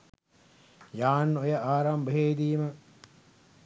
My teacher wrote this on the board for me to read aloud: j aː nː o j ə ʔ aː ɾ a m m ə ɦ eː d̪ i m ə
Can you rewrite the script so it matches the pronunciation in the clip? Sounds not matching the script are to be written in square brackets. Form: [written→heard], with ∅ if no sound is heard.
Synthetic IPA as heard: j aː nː o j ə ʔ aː ɾ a m [m→b] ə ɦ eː d̪ [i→iː] m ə